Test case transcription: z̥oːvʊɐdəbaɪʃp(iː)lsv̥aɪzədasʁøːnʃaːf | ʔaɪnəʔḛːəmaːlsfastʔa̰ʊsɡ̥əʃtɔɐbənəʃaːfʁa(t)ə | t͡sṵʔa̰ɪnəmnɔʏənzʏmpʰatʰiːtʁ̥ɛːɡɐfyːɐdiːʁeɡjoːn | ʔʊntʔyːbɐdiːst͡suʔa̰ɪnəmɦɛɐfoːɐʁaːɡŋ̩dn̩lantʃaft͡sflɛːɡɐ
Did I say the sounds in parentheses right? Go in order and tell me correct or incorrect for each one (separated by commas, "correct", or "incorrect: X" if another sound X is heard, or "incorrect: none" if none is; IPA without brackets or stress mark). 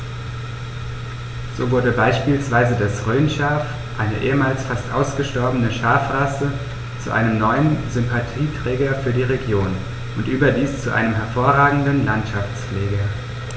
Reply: correct, incorrect: s